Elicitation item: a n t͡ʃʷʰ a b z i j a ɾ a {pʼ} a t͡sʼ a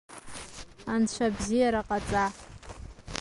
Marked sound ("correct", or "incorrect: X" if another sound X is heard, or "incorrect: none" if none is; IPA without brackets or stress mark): incorrect: qʼ